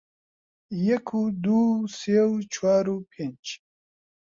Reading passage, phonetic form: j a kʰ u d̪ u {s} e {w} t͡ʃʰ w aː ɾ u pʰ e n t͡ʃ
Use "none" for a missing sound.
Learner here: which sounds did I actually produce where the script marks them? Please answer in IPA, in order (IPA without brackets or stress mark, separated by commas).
s, w